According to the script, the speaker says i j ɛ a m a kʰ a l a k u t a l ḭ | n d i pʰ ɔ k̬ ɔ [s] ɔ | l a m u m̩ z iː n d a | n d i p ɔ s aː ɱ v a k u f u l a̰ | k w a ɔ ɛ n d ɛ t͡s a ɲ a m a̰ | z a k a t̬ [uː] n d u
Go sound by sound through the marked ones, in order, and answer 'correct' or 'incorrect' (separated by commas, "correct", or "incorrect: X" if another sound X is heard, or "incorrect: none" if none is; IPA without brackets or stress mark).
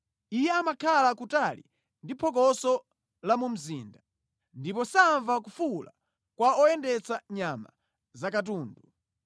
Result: correct, correct